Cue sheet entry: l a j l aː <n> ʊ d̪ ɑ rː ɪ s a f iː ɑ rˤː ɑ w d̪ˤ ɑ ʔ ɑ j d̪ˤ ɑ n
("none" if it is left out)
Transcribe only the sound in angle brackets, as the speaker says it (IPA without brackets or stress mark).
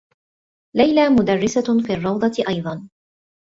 m